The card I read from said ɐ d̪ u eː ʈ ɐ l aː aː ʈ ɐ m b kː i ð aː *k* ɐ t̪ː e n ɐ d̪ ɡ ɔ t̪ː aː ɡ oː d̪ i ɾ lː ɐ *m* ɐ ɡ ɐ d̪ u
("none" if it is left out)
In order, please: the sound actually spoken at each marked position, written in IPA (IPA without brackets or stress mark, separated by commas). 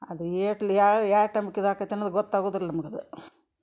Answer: k, m